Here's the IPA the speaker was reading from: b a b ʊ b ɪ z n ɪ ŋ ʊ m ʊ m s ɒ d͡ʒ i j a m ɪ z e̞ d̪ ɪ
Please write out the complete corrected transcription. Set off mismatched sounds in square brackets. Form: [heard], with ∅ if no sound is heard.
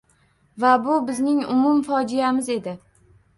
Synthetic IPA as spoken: [v] a b ʊ b ɪ z n ɪ ŋ ʊ m ʊ m [f] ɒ d͡ʒ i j a m ɪ z e̞ d̪ ɪ